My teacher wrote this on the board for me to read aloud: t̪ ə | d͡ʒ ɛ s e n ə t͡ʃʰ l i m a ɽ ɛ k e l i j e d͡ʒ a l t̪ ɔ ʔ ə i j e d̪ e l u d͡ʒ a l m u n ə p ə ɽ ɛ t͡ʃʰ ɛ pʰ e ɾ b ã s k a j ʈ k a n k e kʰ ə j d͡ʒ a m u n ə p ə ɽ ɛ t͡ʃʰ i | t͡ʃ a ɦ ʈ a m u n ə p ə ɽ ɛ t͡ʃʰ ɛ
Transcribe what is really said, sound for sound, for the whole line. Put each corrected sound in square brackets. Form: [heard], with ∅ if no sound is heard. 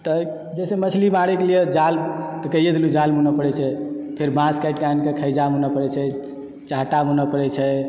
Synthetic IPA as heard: t̪ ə | d͡ʒ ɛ s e [m] ə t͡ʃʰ l i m a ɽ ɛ k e l i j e d͡ʒ a l t̪ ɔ [k] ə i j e d̪ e l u d͡ʒ a l m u n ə p ə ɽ ɛ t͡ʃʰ ɛ pʰ e ɾ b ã s k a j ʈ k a n k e kʰ ə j d͡ʒ a m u n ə p ə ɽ ɛ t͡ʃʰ [ɛ] | t͡ʃ a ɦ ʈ a m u n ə p ə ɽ ɛ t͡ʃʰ ɛ